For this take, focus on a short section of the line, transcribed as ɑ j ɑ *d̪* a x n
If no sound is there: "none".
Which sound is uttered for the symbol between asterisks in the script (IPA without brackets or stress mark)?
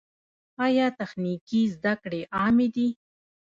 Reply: t̪